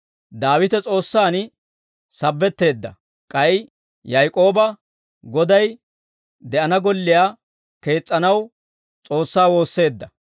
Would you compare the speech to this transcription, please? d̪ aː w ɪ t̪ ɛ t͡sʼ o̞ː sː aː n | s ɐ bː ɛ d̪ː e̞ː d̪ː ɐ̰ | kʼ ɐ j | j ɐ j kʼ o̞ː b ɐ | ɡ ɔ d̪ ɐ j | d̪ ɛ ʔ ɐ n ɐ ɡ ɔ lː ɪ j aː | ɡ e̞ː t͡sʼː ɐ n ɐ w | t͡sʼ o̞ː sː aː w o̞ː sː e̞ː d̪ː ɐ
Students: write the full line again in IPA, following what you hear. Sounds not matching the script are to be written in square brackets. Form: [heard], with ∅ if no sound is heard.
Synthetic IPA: d̪ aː w ɪ t̪ ɛ t͡sʼ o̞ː sː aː n | s ɐ bː ɛ [t̪ː] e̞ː d̪ː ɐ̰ | kʼ ɐ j | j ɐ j kʼ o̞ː b ɐ | ɡ ɔ d̪ ɐ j | d̪ ɛ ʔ ɐ n ɐ ɡ ɔ lː ɪ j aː | [k] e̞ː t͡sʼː ɐ n ɐ w | t͡sʼ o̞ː sː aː w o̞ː sː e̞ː d̪ː ɐ